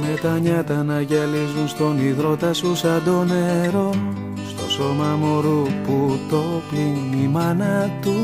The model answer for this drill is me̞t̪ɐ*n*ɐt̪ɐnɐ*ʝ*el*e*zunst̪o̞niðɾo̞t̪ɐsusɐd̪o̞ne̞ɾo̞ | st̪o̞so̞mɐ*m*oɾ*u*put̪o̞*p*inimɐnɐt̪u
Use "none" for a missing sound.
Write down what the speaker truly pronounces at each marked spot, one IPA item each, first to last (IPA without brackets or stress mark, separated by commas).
ɲ, ʝ, i, m, u, p